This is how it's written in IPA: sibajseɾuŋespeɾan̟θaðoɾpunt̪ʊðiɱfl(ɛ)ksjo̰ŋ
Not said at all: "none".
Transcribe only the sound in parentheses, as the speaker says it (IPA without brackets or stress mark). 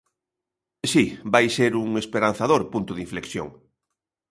e